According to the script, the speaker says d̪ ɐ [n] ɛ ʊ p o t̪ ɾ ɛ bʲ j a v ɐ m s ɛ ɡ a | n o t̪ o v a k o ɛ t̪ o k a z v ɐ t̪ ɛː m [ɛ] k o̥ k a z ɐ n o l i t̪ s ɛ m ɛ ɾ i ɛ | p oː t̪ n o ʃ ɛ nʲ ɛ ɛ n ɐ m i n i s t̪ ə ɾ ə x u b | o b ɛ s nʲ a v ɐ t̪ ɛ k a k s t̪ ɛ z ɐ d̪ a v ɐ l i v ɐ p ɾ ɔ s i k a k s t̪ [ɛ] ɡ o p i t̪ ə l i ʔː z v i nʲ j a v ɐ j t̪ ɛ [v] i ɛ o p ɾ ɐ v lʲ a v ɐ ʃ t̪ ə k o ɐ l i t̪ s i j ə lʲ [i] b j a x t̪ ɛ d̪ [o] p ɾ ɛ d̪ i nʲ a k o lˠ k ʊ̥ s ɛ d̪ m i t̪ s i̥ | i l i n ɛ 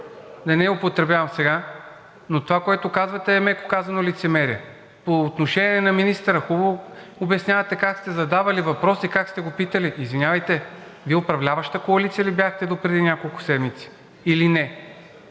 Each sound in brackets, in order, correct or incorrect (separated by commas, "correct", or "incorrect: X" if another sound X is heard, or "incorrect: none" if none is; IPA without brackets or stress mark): correct, correct, correct, correct, correct, correct